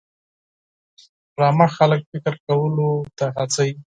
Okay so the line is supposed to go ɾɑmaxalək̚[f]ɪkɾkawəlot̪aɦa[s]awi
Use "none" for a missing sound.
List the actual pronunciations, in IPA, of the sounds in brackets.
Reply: f, t͡s

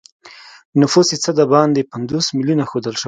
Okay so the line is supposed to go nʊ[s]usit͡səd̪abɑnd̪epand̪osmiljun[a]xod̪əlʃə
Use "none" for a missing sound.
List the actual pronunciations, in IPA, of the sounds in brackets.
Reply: f, a

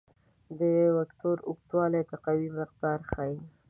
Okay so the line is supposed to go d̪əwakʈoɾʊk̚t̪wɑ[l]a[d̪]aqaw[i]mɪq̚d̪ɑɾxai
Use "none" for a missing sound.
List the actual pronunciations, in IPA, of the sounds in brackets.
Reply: l, t̪, i

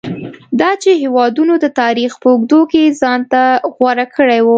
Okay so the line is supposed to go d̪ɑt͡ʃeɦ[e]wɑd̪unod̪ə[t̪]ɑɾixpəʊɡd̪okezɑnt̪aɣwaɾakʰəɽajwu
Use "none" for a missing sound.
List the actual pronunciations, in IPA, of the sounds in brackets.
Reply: e, t̪

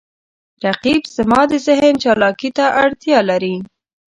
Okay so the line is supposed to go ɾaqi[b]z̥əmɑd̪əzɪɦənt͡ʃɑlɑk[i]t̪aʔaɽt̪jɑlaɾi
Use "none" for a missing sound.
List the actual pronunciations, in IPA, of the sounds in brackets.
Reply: b, i

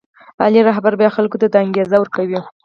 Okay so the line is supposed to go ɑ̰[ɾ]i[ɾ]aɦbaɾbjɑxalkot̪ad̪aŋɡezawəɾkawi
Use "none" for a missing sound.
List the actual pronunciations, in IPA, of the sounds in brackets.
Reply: l, ɾ

